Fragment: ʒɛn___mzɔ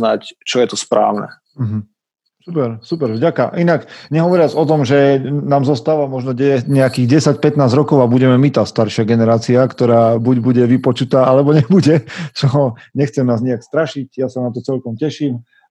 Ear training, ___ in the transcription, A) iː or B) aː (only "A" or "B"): B